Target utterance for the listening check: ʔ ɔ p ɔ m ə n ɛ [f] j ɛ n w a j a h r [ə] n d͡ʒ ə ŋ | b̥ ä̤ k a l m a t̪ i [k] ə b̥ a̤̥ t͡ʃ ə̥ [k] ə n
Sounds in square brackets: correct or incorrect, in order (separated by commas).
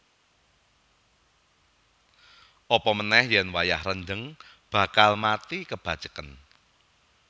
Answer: incorrect, correct, correct, correct